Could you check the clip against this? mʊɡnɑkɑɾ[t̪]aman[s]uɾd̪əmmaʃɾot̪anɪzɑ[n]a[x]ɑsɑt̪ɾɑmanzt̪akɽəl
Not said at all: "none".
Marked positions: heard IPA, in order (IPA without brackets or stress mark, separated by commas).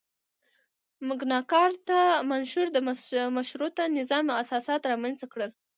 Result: t̪, ʃ, m, s